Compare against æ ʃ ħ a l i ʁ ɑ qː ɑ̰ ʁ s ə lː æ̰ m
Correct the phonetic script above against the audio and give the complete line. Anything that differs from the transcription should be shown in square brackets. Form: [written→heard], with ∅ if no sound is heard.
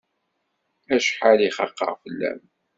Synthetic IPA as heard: æ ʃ ħ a l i [ʁ→χ] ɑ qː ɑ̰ ʁ [s→f] ə lː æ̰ m